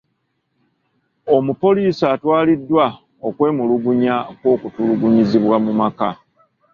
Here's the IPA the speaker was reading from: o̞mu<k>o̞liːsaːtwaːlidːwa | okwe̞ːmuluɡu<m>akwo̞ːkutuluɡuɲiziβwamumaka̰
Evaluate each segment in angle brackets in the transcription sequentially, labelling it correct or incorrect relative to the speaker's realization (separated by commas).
incorrect, incorrect